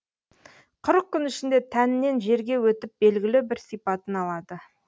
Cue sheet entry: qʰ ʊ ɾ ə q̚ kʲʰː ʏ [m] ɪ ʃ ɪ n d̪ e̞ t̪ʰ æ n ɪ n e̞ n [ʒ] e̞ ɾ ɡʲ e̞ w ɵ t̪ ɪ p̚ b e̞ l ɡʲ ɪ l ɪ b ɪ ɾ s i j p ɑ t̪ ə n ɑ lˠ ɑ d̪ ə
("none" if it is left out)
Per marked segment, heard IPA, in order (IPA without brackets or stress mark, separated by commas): n, ʒ